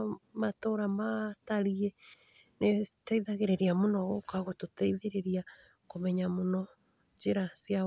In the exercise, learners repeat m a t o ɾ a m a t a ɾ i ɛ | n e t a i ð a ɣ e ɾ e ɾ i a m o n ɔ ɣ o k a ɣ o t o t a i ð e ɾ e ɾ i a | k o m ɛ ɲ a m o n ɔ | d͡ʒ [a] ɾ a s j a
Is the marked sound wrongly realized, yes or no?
yes